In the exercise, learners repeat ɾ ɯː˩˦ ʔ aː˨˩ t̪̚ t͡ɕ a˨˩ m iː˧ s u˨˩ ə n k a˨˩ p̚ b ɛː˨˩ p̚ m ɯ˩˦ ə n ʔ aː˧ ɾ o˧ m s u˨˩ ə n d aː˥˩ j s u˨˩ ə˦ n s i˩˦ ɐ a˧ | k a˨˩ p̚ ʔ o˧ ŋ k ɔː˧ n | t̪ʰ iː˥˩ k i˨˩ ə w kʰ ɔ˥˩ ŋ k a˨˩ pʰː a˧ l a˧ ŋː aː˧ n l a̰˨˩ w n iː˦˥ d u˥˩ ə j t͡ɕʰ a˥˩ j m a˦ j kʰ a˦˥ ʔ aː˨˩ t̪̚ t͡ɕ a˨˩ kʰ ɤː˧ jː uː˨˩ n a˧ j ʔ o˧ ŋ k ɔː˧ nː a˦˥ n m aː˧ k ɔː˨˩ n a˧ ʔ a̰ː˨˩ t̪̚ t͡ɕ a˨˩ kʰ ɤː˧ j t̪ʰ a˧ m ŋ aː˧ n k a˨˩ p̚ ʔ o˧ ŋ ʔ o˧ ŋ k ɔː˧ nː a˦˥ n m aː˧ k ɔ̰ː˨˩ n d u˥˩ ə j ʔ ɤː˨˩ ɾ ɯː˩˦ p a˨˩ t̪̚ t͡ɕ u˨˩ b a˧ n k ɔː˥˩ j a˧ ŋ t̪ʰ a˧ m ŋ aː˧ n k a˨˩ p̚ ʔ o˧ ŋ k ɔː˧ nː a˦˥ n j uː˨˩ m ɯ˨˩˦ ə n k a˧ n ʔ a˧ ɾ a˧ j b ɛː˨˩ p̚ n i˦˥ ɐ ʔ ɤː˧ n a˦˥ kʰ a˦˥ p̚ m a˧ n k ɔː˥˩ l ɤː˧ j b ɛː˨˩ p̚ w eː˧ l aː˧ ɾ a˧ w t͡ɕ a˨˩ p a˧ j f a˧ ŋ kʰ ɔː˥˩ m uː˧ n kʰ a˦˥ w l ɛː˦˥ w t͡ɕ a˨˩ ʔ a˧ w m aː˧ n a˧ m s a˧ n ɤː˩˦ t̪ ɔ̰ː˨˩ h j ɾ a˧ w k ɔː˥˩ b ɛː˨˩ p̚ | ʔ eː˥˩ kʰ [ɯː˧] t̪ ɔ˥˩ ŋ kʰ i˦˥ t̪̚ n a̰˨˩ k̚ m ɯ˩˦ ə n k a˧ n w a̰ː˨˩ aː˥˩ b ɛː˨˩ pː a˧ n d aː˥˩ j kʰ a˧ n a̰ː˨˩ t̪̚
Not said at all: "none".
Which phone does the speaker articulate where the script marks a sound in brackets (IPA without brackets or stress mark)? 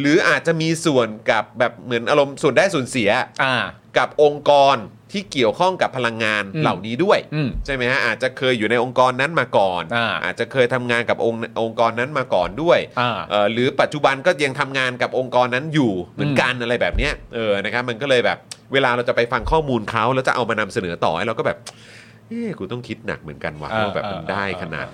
uː˧